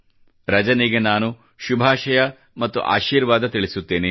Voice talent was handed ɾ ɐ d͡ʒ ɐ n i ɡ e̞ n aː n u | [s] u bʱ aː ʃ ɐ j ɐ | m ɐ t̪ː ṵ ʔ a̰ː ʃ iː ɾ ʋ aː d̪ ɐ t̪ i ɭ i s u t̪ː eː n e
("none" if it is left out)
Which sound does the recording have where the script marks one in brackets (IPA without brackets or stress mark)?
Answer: ʃ